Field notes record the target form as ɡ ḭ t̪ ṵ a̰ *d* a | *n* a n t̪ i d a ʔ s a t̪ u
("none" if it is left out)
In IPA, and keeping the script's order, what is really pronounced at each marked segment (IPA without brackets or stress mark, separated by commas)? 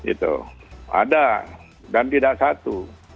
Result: d, d